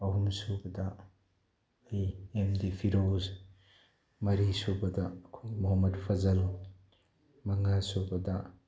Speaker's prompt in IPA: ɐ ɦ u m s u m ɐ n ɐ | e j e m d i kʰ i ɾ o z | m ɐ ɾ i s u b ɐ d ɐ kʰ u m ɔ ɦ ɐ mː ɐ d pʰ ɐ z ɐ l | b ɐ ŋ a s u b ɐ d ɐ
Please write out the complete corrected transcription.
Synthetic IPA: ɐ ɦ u m s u b ɐ d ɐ | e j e m d i pʰ i ɾ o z | m ɐ ɾ i s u b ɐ d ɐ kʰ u m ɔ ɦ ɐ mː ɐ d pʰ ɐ z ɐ l | m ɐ ŋ a s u b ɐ d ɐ